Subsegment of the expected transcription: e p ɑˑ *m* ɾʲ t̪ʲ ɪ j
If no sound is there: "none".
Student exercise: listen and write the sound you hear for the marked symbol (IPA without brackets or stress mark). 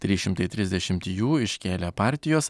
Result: none